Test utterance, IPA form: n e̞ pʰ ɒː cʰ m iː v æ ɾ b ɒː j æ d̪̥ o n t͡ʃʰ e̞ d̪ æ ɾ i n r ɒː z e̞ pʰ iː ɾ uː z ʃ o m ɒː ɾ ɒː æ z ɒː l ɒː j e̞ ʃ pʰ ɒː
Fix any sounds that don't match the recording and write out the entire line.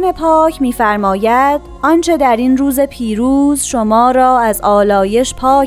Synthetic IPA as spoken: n e̞ pʰ ɒː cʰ m iː f æ ɾ m ɒː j æ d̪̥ ɒ n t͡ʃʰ e̞ d̪ æ ɾ i n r uː z e̞ pʰ iː ɾ uː z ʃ o m ɒː ɾ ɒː æ z ɒː l ɒː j e̞ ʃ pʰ ɒː